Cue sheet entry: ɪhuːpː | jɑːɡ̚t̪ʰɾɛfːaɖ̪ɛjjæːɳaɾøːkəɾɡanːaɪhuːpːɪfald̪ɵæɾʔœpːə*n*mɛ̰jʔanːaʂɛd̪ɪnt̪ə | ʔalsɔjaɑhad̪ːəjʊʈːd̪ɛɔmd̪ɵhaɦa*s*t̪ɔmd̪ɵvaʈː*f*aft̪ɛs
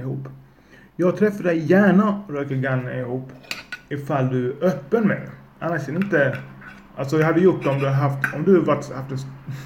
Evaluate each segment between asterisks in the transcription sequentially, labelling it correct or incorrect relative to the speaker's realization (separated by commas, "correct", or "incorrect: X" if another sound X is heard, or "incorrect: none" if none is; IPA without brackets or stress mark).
correct, incorrect: f, incorrect: h